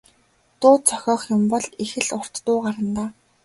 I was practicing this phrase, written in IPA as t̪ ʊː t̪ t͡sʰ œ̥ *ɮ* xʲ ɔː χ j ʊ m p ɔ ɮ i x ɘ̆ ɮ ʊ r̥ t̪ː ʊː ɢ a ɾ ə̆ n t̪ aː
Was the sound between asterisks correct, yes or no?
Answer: no